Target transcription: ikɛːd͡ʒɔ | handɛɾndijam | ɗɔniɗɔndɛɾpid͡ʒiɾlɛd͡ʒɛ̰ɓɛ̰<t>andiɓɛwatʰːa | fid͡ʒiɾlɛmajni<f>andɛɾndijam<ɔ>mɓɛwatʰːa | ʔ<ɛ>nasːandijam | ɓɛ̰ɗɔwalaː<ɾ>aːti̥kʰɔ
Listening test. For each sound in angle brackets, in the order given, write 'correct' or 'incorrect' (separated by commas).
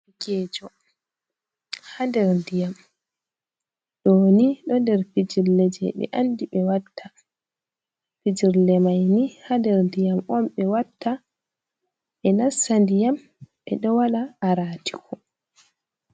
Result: incorrect, incorrect, correct, correct, correct